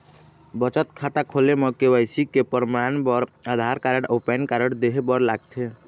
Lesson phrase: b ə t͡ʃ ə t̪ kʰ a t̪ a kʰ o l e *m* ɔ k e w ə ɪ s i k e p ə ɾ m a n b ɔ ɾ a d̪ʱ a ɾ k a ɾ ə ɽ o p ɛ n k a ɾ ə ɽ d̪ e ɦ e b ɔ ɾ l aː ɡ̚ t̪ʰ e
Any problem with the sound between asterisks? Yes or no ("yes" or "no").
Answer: no